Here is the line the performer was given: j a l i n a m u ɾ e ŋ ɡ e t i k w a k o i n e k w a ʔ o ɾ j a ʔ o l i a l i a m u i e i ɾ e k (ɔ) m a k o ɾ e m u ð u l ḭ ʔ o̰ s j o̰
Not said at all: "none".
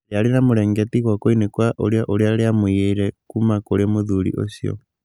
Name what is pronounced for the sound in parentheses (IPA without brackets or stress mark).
u